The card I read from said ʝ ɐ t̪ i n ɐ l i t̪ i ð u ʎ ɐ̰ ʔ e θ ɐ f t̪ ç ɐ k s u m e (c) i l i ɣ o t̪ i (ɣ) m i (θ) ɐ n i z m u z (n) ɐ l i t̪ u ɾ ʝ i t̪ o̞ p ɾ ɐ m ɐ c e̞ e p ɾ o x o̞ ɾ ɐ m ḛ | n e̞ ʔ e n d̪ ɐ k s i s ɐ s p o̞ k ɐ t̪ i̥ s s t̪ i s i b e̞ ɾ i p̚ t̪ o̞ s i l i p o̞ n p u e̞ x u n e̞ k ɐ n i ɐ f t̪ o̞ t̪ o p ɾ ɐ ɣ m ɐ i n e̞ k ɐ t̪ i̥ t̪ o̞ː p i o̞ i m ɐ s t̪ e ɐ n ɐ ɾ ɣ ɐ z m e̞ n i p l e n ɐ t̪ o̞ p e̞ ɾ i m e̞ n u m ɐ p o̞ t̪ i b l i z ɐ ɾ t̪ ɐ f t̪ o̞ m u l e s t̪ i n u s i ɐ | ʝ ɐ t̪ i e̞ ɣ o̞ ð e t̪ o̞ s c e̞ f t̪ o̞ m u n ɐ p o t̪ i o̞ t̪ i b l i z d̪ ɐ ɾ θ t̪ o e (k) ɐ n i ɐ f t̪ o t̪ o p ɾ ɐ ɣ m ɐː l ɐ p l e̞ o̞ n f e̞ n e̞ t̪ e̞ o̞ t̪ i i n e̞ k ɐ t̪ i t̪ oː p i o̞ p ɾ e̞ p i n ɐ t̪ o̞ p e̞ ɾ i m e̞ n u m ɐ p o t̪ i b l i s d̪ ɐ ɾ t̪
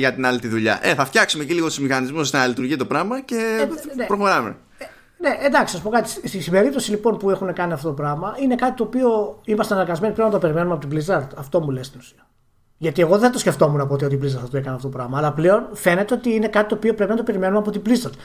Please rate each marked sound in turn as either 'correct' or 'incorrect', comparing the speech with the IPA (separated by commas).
correct, incorrect, incorrect, correct, correct